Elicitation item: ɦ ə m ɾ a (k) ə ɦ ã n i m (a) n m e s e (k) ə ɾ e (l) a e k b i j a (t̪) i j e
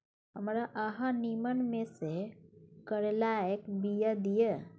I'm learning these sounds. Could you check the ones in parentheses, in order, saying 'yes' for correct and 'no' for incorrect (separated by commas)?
no, no, yes, yes, no